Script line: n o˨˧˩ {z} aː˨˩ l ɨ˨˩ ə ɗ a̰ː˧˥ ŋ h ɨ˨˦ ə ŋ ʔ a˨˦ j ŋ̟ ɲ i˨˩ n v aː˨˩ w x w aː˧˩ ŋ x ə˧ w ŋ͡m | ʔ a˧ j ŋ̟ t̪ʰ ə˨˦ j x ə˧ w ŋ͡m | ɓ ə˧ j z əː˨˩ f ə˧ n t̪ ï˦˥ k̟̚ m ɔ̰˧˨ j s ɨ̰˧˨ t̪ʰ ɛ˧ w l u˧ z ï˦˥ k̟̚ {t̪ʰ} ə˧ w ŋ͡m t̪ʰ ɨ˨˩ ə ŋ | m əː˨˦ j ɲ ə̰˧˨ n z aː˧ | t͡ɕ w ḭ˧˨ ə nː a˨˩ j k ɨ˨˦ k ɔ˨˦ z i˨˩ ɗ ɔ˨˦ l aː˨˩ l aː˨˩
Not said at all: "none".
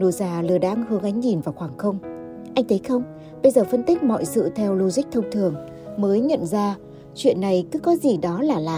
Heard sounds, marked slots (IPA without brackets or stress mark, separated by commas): z, t̪ʰ